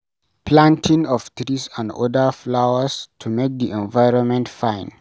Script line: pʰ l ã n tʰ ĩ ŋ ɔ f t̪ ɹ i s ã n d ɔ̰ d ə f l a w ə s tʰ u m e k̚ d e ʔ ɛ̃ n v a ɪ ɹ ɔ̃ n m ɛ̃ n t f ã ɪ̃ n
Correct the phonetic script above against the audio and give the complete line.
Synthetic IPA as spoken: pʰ l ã n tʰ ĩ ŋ ɔ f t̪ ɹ i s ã n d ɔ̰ d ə f l a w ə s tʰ u m e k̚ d i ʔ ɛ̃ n v a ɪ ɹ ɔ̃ n m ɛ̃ n t f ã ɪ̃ n